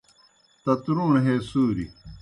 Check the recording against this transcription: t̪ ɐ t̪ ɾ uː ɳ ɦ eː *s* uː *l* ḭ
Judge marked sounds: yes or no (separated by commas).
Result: yes, no